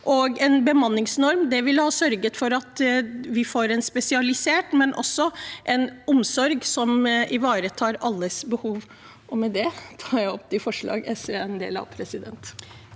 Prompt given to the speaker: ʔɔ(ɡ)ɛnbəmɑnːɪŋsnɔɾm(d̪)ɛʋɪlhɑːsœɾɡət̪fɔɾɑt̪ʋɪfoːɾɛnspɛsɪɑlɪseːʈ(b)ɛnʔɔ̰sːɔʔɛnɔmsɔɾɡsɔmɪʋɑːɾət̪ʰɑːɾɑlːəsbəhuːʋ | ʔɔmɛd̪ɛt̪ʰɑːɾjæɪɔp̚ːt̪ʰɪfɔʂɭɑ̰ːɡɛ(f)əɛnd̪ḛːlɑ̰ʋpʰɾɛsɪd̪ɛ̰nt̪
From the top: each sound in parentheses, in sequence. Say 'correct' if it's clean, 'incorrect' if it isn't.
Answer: correct, correct, incorrect: m, incorrect: s

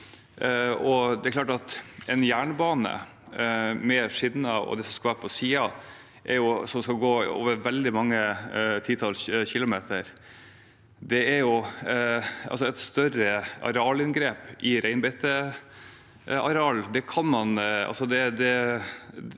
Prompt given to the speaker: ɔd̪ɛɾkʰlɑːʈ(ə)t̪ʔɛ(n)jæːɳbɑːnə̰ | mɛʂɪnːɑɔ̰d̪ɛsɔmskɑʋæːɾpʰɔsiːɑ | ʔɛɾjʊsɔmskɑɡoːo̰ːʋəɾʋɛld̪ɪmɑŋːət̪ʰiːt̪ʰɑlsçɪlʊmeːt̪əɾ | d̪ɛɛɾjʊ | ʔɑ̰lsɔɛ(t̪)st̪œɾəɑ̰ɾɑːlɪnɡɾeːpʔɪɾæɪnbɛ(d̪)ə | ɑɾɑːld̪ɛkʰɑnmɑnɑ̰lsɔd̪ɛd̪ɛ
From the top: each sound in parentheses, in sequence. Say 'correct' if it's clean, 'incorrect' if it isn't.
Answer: incorrect: ɑ, correct, correct, incorrect: t̪

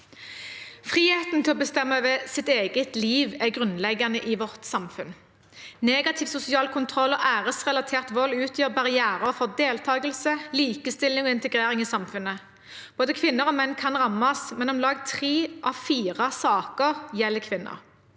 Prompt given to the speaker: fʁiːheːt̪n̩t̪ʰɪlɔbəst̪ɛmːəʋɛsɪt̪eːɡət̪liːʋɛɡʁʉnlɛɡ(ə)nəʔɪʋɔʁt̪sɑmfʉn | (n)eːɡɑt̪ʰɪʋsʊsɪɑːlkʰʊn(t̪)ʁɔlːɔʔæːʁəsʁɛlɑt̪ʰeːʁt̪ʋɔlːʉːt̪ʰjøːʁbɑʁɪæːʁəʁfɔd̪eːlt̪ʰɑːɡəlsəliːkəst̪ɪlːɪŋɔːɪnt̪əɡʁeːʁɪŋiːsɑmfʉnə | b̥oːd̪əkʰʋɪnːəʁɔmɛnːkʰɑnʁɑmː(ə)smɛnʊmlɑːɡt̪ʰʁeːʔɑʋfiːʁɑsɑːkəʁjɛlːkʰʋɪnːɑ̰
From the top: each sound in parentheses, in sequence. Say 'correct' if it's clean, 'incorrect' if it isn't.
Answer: incorrect: ɑ, correct, incorrect: t̪ʰ, incorrect: ɑ

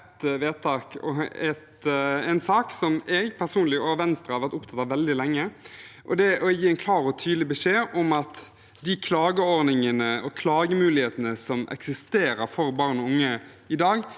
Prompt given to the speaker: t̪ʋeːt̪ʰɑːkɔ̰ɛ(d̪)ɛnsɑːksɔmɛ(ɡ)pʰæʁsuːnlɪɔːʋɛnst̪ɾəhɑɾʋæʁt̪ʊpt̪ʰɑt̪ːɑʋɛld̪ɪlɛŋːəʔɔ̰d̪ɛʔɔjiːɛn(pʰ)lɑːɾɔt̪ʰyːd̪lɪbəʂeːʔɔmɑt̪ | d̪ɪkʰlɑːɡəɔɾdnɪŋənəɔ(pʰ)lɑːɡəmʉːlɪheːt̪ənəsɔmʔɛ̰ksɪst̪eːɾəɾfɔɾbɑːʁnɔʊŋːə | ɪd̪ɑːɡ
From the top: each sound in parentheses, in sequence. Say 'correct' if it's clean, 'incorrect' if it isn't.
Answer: incorrect: t̪, correct, incorrect: kʰ, incorrect: kʰ

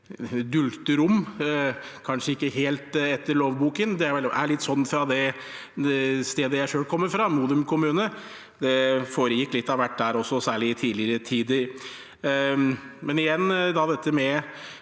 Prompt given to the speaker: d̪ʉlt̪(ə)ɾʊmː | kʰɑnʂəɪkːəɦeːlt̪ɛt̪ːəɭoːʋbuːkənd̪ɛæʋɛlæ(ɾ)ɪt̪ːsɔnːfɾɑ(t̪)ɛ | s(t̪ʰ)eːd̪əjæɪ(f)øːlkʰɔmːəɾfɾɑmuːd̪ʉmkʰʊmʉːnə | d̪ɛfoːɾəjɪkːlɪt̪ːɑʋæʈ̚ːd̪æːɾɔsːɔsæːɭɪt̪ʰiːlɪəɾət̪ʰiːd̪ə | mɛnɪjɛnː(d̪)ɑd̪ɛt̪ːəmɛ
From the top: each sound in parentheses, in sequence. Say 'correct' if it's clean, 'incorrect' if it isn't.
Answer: correct, incorrect: ɭ, incorrect: d̪, incorrect: t̪, incorrect: ʂ, correct

